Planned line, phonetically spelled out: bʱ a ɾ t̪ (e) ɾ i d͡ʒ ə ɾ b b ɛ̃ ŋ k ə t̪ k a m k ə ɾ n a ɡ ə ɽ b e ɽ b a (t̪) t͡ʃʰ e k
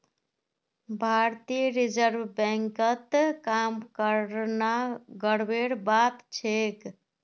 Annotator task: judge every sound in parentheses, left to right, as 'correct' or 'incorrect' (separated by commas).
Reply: incorrect, correct